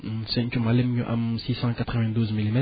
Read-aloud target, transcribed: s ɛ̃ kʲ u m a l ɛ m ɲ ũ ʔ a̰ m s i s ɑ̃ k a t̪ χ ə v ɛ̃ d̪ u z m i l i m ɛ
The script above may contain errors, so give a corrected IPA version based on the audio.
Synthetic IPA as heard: s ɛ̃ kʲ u m a l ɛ m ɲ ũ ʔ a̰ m s i s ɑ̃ k a t̪ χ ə v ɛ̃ d̪ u z m i l i m ɛ